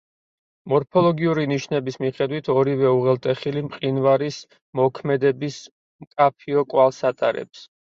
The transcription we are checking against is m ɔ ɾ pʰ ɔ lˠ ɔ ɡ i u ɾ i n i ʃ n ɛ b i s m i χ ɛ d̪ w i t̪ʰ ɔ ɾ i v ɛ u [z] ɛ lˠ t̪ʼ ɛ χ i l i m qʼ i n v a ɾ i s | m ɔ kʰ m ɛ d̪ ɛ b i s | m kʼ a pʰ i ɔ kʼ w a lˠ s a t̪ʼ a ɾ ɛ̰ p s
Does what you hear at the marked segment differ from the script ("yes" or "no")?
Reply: yes